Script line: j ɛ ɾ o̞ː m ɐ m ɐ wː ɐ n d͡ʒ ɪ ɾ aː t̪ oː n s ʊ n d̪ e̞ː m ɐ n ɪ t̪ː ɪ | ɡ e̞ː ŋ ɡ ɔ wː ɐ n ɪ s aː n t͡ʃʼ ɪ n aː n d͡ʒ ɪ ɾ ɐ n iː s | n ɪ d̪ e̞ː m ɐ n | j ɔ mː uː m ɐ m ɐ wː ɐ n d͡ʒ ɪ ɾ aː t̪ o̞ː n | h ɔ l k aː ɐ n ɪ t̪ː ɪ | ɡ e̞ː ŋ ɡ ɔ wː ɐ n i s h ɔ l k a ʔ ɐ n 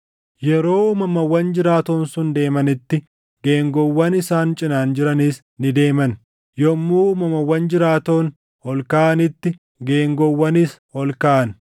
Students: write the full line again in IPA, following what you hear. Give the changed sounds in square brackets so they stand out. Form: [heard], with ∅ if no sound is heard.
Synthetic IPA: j ɛ ɾ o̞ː m ɐ m ɐ wː ɐ n d͡ʒ ɪ ɾ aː t̪ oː n s ʊ n d̪ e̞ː m ɐ n ɪ t̪ː ɪ | ɡ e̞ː ŋ ɡ ɔ wː ɐ n ɪ s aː n t͡ʃʼ ɪ n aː n d͡ʒ ɪ ɾ ɐ n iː s | n ɪ d̪ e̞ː m ɐ n | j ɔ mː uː m ɐ m ɐ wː ɐ n d͡ʒ ɪ ɾ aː t̪ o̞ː n | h ɔ l k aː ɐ n ɪ t̪ː ɪ | ɡ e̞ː ŋ ɡ ɔ wː ɐ n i s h ɔ l k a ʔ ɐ n